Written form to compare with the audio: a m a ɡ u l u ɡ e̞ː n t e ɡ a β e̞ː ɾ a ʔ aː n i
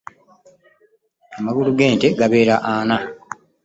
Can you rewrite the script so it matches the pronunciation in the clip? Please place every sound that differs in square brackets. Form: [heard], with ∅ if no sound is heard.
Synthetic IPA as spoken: a m a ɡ u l u ɡ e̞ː n t e ɡ a β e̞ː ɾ a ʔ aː n [a]